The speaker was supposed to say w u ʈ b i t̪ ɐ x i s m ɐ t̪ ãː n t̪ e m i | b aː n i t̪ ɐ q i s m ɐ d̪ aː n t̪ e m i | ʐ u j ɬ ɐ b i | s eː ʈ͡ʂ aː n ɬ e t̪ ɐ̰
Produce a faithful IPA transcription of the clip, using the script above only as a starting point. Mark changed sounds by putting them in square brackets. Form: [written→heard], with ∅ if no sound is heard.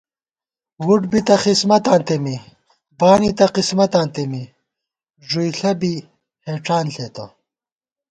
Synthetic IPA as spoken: w u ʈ b i t̪ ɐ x i s m ɐ t̪ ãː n t̪ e m i | b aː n i t̪ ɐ q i s m ɐ [d̪→t̪] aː n t̪ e m i | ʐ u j ɬ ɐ b i | [s→h] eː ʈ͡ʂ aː n ɬ e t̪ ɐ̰